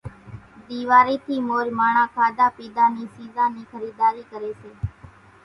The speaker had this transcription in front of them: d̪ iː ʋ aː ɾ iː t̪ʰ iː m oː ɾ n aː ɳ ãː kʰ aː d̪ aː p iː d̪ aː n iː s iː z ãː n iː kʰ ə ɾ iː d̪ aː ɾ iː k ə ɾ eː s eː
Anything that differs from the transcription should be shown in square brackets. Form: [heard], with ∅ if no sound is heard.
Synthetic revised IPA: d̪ iː ʋ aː ɾ iː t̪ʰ iː m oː ɾ [m] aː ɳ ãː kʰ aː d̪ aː p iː d̪ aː n iː s iː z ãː n iː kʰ ə ɾ iː d̪ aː ɾ iː k ə ɾ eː s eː